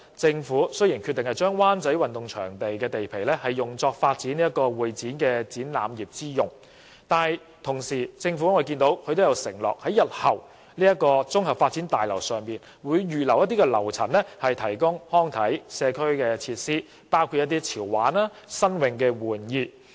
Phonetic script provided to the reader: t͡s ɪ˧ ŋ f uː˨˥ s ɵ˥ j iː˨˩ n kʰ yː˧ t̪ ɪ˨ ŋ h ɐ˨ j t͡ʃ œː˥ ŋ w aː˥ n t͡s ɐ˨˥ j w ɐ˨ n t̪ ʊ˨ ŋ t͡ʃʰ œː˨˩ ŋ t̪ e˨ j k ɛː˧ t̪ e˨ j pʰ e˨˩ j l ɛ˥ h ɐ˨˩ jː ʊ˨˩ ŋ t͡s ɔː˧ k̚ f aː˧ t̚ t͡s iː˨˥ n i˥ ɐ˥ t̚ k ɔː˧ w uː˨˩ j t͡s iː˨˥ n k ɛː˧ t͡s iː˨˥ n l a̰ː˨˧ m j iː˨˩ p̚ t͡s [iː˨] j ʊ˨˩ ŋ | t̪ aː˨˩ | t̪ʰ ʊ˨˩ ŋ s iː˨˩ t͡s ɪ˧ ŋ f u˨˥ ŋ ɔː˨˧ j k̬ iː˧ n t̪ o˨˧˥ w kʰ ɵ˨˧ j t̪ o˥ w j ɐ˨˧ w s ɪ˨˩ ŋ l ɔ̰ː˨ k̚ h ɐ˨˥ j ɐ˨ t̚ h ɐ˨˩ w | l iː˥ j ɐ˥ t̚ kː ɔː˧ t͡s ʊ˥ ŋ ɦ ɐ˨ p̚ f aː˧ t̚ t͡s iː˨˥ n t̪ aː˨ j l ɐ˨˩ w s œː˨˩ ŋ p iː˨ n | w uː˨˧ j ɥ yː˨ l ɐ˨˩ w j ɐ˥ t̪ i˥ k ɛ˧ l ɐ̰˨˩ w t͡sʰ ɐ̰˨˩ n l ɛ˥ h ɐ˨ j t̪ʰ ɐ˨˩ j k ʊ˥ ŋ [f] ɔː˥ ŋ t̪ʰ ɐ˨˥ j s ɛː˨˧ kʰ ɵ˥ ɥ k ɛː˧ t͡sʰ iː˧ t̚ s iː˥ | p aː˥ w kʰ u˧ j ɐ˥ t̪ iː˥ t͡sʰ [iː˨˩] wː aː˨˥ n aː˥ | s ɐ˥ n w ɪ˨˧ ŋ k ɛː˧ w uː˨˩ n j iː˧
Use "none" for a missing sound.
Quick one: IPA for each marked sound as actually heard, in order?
iː˥, h, iː˨˩

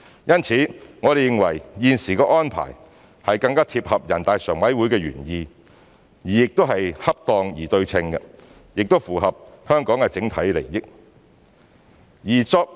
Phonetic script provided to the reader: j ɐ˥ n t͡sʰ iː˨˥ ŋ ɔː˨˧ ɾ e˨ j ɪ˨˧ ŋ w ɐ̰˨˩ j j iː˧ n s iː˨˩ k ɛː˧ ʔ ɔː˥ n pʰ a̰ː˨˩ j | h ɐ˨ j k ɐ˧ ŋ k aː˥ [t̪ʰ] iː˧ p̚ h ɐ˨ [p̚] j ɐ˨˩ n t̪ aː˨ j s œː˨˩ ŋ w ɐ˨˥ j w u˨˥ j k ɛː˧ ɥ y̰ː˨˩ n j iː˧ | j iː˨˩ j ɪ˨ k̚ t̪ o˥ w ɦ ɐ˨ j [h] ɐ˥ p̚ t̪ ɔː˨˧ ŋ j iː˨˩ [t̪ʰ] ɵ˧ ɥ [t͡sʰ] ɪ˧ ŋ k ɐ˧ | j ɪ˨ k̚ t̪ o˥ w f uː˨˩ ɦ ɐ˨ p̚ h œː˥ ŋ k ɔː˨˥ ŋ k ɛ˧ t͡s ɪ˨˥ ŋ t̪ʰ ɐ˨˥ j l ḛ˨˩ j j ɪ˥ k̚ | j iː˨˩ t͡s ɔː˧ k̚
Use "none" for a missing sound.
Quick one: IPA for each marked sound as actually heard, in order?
t̪ʰ, p̚, h, t̪, t͡sʰ

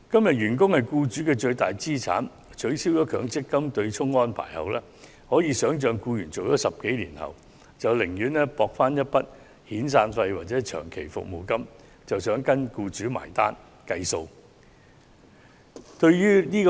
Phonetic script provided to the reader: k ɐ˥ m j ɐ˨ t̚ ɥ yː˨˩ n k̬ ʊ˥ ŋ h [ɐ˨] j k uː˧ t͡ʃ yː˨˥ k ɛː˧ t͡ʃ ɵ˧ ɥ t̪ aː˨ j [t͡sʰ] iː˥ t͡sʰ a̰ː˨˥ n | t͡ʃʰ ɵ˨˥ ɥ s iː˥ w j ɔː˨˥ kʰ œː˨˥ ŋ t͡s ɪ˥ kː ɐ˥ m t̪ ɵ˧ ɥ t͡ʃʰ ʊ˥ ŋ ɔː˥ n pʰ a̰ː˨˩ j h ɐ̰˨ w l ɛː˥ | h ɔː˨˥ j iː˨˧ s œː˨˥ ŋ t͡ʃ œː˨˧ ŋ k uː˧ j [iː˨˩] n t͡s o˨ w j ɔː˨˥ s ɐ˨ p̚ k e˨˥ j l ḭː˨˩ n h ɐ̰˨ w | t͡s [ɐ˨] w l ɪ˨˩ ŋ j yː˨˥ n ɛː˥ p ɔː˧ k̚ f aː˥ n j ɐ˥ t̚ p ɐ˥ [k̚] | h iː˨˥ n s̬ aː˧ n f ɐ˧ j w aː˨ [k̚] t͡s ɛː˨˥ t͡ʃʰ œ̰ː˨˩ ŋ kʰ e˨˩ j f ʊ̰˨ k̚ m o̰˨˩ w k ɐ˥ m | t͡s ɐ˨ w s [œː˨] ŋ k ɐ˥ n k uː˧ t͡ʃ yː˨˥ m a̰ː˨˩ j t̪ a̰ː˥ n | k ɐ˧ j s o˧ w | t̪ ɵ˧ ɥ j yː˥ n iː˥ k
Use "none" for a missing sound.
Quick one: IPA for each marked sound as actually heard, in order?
ɐ˨, t͡s, yː˨˩, ɐ˨, t̚, t̚, œː˨˥

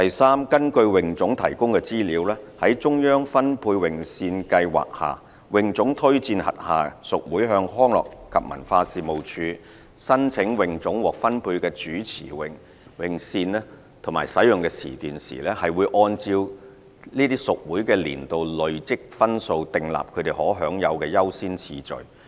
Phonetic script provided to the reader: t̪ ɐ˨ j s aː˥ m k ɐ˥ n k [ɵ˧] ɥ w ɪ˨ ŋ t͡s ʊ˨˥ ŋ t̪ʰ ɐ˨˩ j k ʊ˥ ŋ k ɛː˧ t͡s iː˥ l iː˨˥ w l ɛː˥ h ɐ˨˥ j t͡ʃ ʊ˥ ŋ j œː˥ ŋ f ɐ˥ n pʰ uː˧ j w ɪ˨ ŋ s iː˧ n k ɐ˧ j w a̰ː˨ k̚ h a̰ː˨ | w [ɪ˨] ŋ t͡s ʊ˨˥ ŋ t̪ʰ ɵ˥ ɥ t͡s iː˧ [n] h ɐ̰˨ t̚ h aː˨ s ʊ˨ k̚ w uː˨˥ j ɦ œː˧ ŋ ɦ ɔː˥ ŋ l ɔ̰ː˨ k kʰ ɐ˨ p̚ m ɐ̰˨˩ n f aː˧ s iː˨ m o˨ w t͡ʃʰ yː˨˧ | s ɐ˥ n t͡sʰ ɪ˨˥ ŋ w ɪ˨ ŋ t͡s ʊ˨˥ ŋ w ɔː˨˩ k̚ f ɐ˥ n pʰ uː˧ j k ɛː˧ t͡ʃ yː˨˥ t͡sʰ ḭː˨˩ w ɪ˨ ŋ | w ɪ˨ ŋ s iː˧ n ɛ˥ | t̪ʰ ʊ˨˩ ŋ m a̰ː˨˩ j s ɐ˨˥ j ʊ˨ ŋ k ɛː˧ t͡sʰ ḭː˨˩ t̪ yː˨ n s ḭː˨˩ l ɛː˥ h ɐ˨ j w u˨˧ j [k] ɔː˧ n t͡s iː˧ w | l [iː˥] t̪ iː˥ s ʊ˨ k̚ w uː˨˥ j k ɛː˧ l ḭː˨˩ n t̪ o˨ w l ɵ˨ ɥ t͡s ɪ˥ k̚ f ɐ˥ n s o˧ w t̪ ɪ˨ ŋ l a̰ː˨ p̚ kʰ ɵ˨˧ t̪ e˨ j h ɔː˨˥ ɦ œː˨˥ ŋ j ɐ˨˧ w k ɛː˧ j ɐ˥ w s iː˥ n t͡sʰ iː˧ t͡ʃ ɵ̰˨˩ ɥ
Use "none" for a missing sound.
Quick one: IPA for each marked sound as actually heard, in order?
ɵ˧, ɪ˨, n, ʔ, iː˥

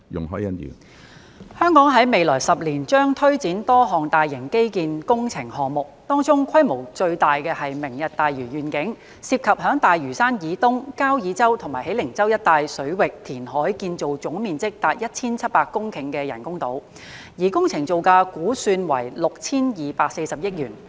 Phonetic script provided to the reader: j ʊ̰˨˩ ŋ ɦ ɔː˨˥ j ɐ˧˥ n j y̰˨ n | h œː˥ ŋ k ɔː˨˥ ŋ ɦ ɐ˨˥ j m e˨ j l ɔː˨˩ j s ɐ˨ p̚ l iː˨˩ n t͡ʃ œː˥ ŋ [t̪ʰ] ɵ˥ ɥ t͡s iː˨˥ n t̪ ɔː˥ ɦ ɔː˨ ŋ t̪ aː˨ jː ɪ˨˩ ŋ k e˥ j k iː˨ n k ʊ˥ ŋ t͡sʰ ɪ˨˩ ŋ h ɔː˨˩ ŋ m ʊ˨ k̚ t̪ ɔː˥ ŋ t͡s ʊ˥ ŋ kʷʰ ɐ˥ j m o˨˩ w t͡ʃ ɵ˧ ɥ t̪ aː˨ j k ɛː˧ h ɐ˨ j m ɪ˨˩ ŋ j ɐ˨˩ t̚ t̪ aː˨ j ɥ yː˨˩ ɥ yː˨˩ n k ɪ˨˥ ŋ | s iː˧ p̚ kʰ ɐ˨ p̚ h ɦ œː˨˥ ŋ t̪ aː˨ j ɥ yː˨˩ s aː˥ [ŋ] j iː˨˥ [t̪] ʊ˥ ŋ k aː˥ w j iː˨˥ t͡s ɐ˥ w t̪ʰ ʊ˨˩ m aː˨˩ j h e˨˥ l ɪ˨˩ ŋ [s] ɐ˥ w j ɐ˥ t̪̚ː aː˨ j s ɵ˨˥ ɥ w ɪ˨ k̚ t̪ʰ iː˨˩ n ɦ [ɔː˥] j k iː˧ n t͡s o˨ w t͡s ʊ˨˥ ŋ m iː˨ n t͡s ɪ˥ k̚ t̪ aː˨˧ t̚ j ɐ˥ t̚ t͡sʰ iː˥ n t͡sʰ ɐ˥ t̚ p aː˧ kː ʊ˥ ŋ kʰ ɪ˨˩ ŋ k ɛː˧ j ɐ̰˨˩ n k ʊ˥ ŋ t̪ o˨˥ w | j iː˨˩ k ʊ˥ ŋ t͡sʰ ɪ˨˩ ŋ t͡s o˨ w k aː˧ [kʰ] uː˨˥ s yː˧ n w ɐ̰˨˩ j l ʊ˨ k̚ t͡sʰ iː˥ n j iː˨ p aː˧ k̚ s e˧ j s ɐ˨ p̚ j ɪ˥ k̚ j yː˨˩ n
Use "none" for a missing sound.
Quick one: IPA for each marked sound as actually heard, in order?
t̪ʰ, n, t̪, t͡s, ɔː˨˥, k

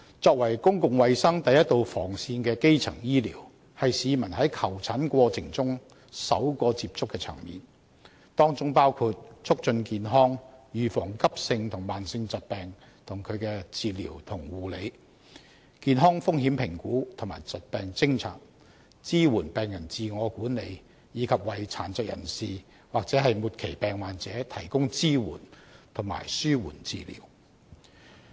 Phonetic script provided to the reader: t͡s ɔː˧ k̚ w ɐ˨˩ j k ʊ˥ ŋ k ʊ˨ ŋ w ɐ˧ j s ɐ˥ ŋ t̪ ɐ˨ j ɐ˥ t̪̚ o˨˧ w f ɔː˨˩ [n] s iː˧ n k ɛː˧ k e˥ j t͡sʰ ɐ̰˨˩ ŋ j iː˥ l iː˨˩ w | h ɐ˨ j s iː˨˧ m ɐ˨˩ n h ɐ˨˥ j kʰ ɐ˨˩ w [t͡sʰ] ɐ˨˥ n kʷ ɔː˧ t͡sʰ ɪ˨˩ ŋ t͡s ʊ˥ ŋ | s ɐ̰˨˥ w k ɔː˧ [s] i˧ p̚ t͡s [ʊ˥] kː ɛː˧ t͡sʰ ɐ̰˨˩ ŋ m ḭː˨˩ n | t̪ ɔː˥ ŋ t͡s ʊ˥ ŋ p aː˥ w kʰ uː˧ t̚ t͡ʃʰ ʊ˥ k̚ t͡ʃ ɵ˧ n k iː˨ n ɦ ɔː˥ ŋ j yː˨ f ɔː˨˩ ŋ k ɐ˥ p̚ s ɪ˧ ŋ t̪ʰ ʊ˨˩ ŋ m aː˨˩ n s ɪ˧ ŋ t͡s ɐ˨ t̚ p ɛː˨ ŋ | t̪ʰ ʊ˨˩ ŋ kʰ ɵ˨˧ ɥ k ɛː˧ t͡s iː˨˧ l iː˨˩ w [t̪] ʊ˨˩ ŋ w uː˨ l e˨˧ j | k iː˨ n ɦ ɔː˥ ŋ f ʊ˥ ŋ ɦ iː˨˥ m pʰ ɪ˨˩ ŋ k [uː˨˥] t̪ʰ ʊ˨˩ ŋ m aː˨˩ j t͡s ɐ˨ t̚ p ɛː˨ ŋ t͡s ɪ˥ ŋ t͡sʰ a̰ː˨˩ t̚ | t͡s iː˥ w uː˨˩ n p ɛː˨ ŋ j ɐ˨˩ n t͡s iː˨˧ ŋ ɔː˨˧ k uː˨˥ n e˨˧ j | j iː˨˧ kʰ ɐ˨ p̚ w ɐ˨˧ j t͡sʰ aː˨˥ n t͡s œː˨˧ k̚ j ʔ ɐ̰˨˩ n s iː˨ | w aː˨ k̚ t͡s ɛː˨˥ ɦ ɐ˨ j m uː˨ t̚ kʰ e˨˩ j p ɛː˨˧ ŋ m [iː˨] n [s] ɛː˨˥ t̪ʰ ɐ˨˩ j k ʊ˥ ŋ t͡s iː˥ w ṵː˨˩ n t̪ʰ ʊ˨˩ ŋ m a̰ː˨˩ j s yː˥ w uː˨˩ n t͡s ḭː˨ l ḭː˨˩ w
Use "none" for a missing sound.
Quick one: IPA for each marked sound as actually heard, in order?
ŋ, t͡sʰ, t͡s, ʊ˥, t̪ʰ, uː˨˥, aː˨, t͡s

